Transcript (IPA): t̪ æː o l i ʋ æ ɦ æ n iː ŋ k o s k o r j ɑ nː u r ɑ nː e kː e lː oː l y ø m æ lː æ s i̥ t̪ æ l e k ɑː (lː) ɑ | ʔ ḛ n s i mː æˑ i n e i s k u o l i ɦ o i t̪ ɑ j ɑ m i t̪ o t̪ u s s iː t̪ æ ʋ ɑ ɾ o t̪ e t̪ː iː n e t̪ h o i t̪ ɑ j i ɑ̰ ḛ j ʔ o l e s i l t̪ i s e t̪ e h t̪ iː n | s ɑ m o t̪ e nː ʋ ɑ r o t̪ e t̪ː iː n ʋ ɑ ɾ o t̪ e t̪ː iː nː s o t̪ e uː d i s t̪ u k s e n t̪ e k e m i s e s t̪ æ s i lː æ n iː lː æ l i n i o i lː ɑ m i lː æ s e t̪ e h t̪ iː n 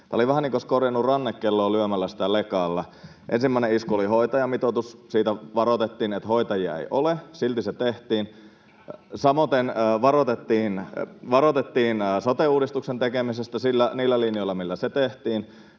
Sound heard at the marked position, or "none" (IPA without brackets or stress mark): lː